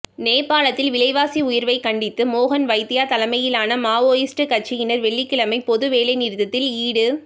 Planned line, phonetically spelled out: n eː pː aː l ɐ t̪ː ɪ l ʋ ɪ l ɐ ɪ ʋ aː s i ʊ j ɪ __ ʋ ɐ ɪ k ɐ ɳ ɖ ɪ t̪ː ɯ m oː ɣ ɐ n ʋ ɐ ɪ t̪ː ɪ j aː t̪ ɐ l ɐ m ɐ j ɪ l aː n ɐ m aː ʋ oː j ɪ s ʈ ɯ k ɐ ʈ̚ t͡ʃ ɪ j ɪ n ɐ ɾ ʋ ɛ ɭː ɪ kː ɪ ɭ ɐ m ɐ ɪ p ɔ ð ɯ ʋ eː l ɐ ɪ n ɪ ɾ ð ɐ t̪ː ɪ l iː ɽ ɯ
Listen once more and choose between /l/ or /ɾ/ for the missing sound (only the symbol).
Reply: ɾ